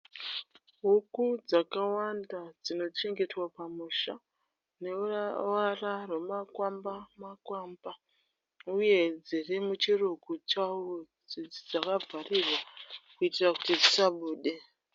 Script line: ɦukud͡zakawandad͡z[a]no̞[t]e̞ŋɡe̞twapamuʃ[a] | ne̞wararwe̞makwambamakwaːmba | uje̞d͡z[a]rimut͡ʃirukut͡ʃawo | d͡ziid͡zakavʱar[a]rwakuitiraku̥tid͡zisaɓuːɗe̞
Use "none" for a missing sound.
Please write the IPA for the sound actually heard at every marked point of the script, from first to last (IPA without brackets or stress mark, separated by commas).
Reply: i, t͡ʃ, a, i, i